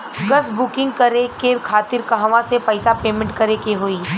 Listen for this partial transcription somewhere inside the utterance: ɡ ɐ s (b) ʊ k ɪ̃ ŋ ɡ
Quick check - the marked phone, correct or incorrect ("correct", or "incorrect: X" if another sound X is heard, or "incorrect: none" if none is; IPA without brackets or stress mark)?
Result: correct